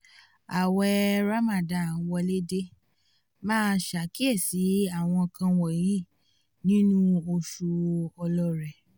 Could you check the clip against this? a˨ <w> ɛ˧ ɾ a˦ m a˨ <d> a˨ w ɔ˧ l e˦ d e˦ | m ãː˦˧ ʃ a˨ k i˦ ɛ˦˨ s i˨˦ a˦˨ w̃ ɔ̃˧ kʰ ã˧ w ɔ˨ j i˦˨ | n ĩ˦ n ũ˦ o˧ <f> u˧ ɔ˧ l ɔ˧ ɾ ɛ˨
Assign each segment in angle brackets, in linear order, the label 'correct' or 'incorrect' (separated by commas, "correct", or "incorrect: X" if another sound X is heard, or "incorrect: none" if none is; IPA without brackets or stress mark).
correct, correct, incorrect: ʃ